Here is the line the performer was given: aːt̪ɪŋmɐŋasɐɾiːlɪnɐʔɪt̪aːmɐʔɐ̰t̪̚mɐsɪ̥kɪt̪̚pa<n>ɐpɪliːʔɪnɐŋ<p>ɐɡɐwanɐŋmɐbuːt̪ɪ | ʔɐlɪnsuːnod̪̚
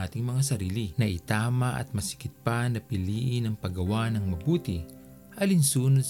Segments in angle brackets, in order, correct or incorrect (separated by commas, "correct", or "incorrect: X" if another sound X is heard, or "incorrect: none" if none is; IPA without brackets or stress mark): correct, correct